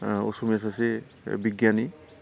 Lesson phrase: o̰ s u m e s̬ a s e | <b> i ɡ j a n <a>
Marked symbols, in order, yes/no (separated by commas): yes, no